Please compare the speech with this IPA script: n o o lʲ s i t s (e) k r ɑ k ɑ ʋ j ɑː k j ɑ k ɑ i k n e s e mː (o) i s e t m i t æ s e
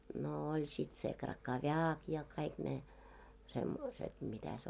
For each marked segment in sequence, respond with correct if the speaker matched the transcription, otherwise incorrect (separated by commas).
correct, correct